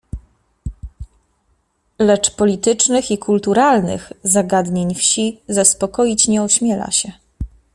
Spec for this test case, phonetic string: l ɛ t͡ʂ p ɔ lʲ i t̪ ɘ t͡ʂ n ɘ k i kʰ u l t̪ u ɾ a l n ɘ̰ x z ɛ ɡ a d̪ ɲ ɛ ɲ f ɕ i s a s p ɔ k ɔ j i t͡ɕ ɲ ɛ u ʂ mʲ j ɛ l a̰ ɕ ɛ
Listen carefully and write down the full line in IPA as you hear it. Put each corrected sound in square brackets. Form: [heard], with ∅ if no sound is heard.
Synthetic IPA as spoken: l ɛ t͡ʂ p ɔ lʲ i t̪ ɘ t͡ʂ n ɘ [x] i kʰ u l t̪ u ɾ a l n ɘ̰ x z [a] ɡ a d̪ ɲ [e] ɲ f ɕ i [z] a s p ɔ k ɔ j i t͡ɕ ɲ ɛ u [ɕ] mʲ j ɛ l a̰ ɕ ɛ